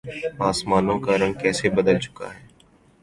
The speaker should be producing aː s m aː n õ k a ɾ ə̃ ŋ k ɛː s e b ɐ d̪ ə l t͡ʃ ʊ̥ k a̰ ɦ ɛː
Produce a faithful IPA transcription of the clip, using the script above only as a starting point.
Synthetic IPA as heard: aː s m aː n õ k a ɾ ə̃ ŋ k ɛː s e b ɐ d̪ ə l t͡ʃ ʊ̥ k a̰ ɦ ɛː